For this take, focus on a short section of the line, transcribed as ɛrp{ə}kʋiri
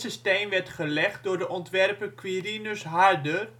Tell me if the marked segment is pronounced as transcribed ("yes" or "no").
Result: yes